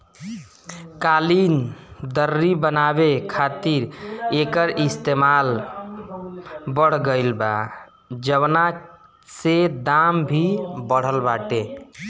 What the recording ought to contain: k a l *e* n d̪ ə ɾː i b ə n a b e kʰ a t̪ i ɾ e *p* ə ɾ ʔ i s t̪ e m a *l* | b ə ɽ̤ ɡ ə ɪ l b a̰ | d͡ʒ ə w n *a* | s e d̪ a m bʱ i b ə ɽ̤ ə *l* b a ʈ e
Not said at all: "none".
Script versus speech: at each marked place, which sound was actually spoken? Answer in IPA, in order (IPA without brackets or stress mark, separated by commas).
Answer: i, k, l, a, l